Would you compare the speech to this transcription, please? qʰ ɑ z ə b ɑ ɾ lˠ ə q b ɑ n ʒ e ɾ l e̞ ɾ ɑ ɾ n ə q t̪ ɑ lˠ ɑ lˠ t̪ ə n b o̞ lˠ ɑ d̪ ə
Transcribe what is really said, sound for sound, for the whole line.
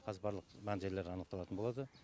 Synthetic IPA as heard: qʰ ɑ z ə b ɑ ɾ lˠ ə q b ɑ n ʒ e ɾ l e̞ ɾ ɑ n ə q t̪ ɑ lˠ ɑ t̪ ə n b o̞ lˠ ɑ d̪ ə